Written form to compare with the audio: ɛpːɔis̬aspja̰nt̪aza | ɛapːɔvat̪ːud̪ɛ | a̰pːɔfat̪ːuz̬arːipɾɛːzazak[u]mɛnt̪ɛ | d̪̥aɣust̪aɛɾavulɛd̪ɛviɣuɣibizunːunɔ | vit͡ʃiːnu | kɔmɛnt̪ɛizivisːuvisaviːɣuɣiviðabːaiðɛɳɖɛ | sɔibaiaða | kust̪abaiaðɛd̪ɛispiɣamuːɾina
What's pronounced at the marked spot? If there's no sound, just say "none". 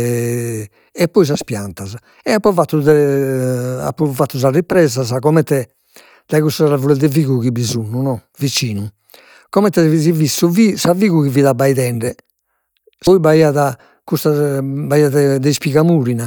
ɔ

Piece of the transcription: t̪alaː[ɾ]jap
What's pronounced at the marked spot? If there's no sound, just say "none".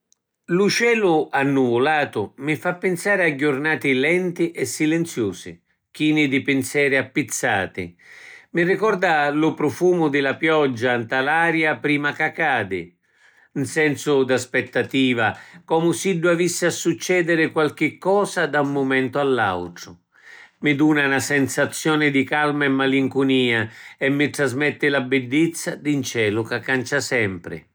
ɾ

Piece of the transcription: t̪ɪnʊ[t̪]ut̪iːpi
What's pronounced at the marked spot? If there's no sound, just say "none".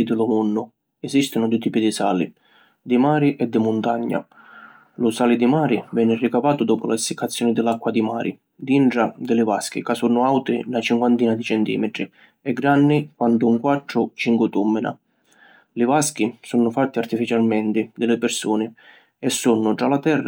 d̪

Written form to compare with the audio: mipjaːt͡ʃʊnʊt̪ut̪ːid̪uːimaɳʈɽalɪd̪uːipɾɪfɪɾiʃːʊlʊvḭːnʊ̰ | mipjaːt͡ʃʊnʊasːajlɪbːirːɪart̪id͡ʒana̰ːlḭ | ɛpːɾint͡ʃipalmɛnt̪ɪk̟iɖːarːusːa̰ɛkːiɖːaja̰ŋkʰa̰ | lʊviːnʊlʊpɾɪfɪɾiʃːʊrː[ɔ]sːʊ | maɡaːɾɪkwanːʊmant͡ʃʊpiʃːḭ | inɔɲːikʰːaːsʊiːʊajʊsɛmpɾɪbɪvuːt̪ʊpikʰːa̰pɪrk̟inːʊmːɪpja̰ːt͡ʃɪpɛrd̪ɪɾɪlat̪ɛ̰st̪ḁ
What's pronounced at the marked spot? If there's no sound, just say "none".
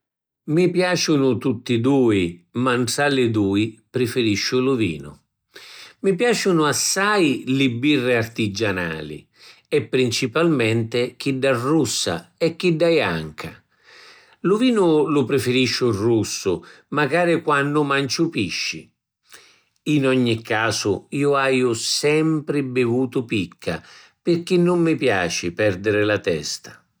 u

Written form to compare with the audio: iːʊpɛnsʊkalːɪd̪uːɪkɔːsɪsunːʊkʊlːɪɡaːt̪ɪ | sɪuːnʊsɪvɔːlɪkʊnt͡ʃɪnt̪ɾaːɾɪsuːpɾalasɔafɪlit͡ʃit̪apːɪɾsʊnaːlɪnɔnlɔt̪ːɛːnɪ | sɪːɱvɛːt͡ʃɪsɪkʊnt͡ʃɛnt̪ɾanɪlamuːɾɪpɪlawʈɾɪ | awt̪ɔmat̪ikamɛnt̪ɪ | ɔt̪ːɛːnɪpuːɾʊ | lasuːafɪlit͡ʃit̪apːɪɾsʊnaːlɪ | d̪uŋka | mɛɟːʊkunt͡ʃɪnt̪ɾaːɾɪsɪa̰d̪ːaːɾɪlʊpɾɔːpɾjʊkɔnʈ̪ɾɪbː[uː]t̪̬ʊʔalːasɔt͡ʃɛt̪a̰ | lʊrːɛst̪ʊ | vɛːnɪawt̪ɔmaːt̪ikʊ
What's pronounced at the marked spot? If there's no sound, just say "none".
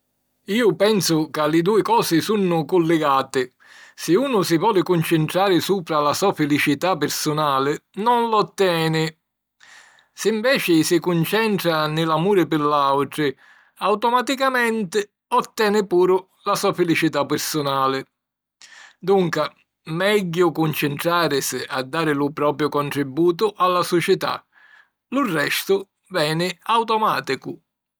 uː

